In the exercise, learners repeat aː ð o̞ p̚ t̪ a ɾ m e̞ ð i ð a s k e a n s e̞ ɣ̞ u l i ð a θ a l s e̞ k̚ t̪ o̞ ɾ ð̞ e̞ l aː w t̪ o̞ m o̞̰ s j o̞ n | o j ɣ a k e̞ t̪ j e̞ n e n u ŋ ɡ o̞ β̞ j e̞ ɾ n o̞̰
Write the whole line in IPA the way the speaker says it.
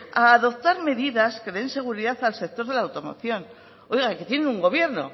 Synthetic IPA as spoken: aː ð o̞ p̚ t̪ a ɾ m e̞ ð i ð a s k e e n s e̞ ɣ̞ u ɾ i ð a θ a l s e̞ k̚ t̪ o̞ ɾ ð̞ e̞ l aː w t̪ o̞ m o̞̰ θ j o̞ n | o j ɣ a k e̞ t̪ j e̞ n e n u ŋ ɡ o̞ β̞ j e̞ ɾ n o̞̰